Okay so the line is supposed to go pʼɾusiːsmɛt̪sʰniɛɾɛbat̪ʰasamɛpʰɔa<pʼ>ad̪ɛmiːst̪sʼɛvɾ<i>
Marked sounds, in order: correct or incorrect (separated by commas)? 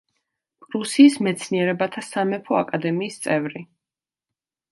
incorrect, correct